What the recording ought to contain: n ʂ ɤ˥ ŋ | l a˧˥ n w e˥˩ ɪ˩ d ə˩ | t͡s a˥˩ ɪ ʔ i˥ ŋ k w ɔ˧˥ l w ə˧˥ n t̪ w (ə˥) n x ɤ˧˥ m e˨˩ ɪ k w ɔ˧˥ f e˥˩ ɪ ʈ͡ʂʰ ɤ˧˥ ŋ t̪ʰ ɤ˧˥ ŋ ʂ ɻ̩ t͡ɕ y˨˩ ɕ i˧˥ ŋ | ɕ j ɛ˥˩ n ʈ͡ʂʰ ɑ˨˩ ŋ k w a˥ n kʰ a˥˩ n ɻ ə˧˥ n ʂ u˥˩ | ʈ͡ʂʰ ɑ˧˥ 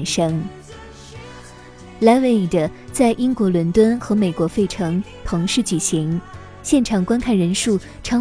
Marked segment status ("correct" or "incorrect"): correct